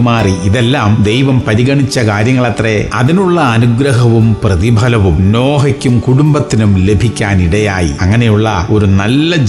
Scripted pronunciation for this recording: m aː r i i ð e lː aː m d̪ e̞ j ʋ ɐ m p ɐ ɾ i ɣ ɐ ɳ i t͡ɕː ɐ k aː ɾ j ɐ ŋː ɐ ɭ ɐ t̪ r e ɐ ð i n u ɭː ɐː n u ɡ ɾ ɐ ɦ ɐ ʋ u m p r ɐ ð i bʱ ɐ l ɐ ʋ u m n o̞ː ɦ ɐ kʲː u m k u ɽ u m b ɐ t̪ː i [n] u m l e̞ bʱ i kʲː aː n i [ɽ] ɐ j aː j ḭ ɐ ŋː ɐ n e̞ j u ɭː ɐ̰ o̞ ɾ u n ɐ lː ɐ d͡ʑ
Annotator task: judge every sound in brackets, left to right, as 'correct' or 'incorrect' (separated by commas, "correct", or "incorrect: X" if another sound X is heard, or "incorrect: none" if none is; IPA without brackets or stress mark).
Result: correct, correct